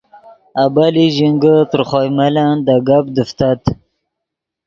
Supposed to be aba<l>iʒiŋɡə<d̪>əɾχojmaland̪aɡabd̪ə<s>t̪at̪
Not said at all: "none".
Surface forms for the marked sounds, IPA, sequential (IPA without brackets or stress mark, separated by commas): l, t̪, f